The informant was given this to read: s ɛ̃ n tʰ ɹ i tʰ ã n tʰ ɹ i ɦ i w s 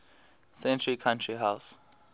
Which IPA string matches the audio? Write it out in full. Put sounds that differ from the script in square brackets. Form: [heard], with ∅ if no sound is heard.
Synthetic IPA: s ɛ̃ n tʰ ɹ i [kʰ] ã n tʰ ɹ i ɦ [a] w s